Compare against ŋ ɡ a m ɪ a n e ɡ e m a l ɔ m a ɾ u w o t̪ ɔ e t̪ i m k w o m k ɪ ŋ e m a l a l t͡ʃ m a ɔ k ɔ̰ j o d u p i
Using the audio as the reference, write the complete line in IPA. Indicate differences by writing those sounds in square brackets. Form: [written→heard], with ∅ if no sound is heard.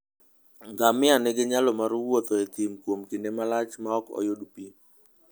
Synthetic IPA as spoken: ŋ ɡ a m ɪ a n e ɡ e [m→ɲ] a l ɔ m a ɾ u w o t̪ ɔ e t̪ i m k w o m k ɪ [ŋ→n] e m a l a [l→∅] t͡ʃ m a ɔ k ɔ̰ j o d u p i

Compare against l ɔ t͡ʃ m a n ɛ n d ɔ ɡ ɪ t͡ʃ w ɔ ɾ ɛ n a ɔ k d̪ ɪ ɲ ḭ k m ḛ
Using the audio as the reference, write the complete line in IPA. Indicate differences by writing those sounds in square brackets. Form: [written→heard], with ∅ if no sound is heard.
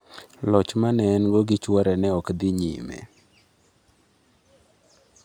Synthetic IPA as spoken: l ɔ t͡ʃ m a n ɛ n [d→ɡ] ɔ ɡ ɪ t͡ʃ w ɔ ɾ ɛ n [a→ɛ] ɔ k d̪ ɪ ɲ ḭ [k→∅] m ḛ

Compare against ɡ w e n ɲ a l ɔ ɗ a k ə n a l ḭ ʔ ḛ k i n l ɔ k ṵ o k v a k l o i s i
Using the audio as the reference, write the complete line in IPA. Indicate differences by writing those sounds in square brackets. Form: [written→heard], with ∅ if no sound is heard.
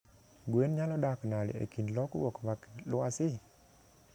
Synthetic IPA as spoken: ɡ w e n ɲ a l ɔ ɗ a k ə n a l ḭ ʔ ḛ k i n l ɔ k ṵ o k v a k l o [i→a] s i

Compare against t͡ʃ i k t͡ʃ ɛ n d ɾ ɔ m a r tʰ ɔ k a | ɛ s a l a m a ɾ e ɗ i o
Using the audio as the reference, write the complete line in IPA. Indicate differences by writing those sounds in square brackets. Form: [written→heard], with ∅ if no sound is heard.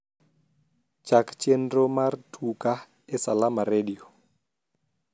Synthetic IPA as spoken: t͡ʃ [i→a] k t͡ʃ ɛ n d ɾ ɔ m a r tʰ [ɔ→u] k a | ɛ s a l a m a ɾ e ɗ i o

